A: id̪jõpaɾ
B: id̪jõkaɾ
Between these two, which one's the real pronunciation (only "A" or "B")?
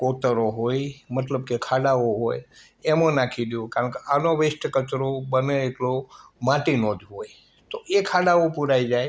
B